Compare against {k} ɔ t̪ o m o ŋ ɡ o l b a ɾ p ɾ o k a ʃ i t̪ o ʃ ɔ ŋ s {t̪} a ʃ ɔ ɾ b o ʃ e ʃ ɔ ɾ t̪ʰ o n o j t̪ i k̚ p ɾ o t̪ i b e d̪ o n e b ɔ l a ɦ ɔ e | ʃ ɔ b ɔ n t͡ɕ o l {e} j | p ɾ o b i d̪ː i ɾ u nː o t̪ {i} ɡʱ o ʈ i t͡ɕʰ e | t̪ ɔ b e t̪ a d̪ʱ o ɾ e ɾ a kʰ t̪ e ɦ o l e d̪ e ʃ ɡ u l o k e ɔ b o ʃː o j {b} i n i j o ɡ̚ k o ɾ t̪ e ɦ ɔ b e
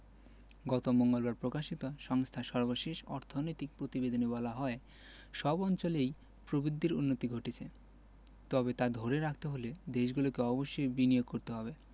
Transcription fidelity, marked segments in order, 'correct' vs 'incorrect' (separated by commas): incorrect, incorrect, correct, correct, correct